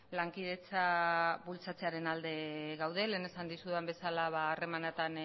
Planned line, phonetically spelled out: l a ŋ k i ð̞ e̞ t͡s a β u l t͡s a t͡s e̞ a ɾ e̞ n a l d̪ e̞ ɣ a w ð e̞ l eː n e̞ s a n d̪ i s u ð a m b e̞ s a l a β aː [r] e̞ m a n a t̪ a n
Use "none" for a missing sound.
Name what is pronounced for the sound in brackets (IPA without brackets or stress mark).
r